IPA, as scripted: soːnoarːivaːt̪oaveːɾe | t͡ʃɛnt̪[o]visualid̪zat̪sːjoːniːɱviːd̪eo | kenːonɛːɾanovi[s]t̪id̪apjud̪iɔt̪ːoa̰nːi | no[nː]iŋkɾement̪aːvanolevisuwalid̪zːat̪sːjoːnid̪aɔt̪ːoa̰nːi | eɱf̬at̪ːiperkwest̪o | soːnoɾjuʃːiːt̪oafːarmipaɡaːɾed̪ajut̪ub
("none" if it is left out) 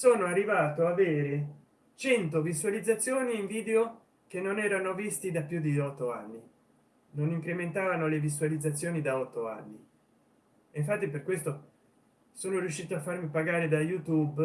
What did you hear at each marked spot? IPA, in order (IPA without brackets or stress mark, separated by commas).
o, s, n